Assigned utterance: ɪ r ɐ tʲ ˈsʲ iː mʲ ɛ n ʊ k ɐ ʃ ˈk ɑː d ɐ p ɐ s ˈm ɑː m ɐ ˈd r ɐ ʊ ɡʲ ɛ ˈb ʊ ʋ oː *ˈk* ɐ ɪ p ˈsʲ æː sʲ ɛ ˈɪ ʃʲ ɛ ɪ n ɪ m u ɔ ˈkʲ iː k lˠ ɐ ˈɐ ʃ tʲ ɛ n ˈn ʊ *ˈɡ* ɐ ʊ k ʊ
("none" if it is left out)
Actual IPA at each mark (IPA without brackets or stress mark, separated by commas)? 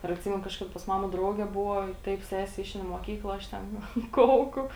t, k